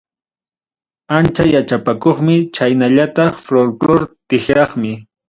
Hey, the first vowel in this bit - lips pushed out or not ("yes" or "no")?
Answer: no